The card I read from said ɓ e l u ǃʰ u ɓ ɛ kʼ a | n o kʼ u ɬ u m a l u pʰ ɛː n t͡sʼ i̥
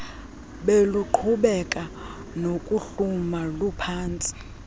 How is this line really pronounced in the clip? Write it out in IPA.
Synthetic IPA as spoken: ɓ e l u ǃʰ u ɓ ɛ kʼ a | n o kʼ u ɬ u m a l u pʰ aː n t͡sʼ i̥